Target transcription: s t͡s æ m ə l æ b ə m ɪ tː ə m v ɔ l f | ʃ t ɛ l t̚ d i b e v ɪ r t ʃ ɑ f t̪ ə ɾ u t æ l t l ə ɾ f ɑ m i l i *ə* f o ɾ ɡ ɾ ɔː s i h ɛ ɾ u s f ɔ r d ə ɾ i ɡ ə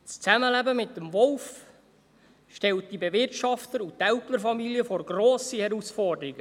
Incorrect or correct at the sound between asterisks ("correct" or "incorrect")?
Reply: correct